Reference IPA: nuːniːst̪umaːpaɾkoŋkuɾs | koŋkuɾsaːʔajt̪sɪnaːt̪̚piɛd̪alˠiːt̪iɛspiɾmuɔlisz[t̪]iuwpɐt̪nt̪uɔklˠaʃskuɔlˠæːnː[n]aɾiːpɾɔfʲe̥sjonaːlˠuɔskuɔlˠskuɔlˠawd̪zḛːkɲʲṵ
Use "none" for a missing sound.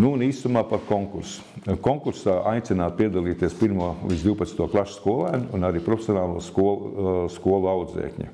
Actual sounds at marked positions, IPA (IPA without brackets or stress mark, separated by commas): d̪, n